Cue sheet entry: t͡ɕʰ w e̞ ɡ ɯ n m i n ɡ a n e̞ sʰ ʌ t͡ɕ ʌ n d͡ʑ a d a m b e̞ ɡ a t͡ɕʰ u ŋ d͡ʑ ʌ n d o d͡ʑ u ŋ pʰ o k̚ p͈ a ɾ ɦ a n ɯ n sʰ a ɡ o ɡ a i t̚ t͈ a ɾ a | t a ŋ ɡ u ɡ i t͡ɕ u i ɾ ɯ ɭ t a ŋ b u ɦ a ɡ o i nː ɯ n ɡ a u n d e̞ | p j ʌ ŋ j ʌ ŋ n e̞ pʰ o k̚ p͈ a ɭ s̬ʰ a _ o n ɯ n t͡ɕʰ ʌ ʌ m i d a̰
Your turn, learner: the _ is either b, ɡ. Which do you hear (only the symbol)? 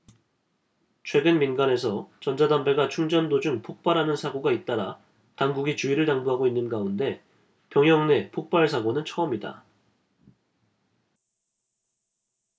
ɡ